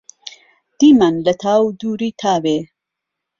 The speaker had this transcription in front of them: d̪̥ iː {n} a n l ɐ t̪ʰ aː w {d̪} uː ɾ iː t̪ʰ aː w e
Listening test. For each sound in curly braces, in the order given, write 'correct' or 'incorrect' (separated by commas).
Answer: incorrect, correct